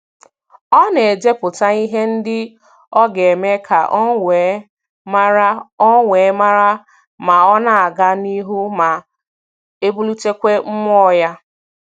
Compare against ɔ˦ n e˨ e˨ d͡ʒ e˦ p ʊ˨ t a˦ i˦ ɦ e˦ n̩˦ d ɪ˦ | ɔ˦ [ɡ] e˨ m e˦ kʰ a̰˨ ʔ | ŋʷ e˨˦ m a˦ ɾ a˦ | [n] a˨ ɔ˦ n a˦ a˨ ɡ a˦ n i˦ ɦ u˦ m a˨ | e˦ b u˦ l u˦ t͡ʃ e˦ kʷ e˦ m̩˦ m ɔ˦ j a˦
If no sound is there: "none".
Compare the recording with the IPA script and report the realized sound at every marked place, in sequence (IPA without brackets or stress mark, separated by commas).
ɡ, m